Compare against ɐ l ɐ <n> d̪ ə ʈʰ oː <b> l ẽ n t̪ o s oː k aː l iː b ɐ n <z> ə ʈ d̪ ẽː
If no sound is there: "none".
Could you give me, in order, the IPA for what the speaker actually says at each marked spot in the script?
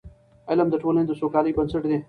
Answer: m, none, s

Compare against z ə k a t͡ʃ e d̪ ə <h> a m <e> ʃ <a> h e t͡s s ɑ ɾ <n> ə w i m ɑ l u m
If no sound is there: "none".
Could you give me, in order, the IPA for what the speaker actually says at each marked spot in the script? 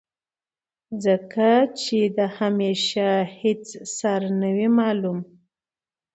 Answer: h, e, a, n

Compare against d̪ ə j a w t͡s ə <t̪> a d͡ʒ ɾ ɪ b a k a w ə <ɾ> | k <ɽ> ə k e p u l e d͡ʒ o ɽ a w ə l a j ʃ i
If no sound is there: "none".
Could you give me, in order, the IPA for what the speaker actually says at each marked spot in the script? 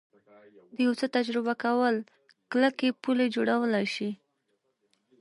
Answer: t̪, l, l

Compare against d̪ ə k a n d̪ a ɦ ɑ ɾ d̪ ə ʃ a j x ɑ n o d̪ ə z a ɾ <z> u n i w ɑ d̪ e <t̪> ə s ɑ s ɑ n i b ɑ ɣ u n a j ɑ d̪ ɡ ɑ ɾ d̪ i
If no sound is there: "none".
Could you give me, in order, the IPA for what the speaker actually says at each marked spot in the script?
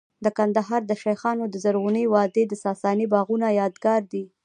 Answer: ɣ, d̪

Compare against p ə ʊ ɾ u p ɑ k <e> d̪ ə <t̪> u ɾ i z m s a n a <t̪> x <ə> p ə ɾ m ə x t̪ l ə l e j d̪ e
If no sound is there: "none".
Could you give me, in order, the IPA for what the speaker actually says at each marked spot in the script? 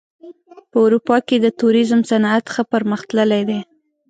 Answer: e, t̪, t̪, ə

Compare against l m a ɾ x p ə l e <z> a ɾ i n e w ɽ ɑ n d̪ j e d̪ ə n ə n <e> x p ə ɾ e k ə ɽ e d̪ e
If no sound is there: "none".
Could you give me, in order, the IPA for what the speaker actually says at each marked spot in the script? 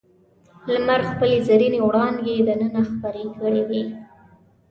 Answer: z, a

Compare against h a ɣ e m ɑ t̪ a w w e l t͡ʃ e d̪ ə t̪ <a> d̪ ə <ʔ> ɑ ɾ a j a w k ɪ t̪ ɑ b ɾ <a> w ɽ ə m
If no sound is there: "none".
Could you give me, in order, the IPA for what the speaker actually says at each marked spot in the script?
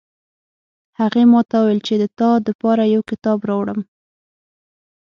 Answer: ɑ, p, ɑ

